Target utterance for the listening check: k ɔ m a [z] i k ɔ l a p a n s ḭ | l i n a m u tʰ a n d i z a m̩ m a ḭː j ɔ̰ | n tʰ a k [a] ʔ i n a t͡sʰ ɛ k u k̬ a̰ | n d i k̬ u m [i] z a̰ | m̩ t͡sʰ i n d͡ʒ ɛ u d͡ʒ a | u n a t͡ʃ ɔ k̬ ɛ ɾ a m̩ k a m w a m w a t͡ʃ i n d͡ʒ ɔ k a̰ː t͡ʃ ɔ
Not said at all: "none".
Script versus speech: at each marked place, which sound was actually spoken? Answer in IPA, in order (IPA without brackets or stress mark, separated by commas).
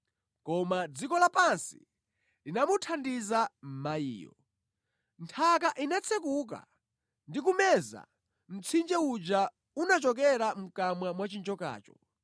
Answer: d͡z, a, ɛ